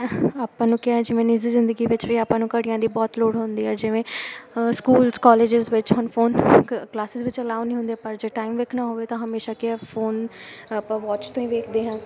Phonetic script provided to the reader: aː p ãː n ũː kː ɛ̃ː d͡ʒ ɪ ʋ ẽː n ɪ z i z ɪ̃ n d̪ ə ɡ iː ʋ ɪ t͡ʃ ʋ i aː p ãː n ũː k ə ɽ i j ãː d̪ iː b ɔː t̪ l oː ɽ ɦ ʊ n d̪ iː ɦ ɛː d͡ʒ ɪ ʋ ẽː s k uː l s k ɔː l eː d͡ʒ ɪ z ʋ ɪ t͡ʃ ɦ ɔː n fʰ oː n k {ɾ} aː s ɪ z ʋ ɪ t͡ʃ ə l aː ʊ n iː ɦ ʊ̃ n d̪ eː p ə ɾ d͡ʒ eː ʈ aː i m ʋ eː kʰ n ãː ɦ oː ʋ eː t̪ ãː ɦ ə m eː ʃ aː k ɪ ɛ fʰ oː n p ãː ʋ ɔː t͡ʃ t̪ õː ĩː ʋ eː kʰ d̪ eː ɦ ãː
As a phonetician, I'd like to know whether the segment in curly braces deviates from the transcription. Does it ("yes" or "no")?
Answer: yes